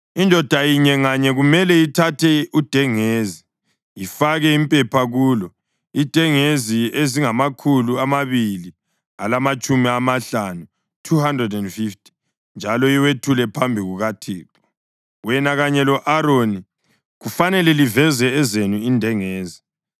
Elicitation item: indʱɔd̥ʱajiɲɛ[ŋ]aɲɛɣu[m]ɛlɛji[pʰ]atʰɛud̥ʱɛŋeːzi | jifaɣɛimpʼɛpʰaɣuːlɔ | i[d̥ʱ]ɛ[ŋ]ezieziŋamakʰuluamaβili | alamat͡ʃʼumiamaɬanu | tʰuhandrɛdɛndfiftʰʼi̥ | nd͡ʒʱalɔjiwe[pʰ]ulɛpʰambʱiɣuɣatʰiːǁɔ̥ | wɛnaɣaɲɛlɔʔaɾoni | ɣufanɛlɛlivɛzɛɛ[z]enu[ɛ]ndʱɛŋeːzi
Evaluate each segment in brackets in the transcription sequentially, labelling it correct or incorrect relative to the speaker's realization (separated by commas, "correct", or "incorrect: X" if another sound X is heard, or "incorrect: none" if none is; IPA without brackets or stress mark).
correct, correct, incorrect: tʰ, correct, correct, incorrect: tʰ, correct, incorrect: i